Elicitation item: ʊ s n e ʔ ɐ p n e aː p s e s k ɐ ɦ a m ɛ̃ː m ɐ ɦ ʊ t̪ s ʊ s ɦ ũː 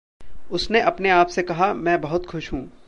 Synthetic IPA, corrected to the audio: ʊ s n e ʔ ɐ p n e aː p s e k ɐ ɦ a m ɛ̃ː b ɐ ɦ ʊ t̪ x ʊ ʃ ɦ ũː